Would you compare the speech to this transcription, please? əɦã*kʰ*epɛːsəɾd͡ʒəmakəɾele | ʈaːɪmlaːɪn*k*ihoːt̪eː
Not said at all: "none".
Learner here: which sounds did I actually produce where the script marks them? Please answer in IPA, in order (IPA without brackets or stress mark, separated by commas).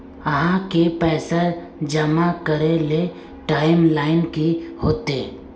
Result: k, k